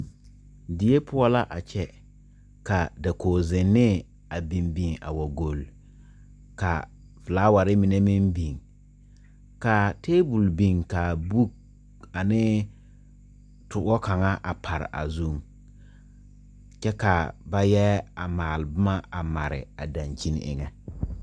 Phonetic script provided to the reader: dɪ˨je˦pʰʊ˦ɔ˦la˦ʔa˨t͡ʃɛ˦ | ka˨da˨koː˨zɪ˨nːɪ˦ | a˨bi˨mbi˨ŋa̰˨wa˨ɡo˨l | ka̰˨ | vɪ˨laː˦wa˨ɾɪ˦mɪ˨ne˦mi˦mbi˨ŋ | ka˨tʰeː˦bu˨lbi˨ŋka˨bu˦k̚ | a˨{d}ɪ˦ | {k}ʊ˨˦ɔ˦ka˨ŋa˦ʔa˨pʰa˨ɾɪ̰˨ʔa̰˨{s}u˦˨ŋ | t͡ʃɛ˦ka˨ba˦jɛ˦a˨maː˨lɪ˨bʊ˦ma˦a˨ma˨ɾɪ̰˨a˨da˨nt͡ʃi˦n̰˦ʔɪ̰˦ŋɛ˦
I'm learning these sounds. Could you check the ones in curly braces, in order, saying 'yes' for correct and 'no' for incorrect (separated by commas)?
no, no, no